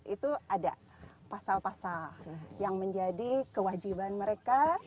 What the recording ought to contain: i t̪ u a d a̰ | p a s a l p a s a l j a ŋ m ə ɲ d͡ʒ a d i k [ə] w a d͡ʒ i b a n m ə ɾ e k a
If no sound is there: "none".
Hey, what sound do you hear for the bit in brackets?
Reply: ə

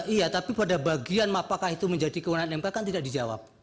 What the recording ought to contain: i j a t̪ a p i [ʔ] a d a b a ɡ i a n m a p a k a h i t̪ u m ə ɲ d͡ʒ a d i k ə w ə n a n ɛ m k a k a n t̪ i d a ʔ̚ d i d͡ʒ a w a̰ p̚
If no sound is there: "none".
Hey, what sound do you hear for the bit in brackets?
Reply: p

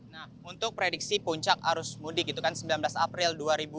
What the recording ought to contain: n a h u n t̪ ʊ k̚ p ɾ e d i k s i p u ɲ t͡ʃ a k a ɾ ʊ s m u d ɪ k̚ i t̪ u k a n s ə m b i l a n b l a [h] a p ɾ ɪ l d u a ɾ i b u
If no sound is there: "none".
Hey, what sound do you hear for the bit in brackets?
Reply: s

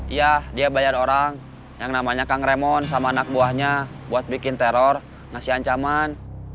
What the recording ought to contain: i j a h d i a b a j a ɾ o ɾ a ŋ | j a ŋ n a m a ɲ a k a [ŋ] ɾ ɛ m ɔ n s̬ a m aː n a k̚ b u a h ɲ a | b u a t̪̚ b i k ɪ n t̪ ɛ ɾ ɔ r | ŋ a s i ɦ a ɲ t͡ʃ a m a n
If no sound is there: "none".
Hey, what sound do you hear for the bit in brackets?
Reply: ŋ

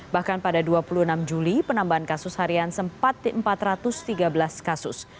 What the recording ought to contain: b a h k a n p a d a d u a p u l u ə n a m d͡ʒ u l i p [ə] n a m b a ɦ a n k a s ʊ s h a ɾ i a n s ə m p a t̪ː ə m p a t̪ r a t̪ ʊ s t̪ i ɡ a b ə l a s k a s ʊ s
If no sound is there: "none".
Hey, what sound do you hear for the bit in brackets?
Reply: ə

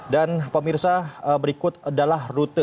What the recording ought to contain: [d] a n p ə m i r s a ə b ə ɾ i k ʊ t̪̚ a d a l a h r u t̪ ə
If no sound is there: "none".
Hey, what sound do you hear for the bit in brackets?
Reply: d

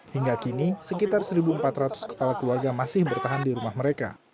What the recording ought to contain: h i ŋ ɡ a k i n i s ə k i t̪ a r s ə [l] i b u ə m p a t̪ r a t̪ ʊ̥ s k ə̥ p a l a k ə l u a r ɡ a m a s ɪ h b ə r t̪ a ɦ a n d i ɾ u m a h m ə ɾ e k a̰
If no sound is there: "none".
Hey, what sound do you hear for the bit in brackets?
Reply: ɾ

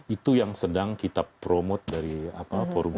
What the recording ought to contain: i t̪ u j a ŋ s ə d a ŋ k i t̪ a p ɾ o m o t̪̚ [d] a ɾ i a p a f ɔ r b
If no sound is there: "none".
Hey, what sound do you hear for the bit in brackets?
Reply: d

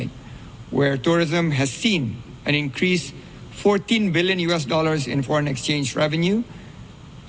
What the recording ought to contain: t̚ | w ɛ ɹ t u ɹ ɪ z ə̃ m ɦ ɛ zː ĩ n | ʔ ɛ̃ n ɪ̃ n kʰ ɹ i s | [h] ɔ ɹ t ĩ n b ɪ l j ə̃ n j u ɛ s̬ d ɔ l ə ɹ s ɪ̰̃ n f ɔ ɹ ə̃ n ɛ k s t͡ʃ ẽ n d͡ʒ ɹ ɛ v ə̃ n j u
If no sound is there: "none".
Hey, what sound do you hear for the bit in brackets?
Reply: f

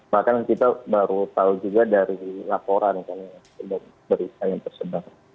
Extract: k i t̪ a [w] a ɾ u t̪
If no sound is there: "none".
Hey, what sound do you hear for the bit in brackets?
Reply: b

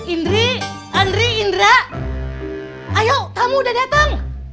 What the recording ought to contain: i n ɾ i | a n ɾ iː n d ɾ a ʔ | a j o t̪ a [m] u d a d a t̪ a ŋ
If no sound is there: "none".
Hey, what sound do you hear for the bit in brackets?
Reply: m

